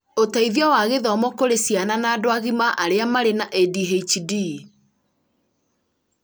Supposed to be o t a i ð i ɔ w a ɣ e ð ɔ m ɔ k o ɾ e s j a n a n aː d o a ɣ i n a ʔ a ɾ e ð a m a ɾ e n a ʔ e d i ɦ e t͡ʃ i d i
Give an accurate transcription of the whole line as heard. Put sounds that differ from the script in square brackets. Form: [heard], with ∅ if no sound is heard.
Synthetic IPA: o t a i ð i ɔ w a ɣ e ð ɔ m ɔ k o ɾ e s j a n a n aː d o a ɣ i [m] a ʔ a ɾ e [∅] a m a ɾ e n a ʔ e d i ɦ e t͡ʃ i d i